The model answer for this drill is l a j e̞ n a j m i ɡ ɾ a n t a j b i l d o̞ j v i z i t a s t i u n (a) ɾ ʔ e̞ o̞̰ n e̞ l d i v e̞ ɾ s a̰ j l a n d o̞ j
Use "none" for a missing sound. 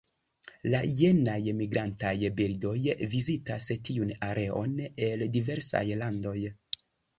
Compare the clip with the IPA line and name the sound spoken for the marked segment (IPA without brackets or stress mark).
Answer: a